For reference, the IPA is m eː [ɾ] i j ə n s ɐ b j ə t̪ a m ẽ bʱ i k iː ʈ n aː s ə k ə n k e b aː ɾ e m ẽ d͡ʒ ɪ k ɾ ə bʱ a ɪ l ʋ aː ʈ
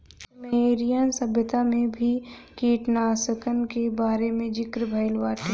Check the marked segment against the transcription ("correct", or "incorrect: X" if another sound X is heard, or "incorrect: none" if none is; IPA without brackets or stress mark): correct